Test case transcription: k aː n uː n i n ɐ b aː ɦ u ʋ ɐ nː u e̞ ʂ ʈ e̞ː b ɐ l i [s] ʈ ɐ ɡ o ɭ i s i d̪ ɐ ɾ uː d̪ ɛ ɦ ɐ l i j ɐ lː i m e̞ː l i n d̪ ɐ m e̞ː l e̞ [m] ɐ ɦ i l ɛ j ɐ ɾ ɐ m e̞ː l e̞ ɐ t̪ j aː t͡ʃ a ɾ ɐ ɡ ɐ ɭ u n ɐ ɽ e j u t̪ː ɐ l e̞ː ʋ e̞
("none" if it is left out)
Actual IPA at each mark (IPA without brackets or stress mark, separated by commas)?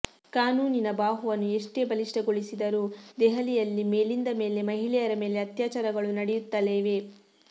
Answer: ʂ, m